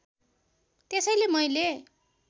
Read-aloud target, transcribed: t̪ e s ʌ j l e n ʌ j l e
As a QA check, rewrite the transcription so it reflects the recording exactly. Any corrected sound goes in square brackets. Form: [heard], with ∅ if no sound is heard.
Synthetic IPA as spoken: t̪ e s ʌ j l e [m] ʌ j l e